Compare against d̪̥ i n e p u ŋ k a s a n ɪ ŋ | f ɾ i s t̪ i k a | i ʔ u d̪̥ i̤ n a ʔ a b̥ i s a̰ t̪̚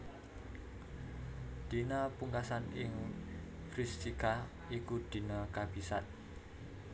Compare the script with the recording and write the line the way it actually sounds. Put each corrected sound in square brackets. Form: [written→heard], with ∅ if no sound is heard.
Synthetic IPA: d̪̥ i n [e→a] p u ŋ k a s a n ɪ ŋ | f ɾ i s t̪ i k a | i [ʔ→k] u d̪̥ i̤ n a [ʔ→k] a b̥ i s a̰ t̪̚